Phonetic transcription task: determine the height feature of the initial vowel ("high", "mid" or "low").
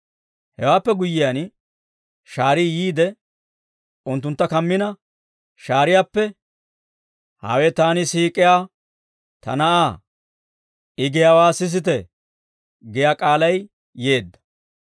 mid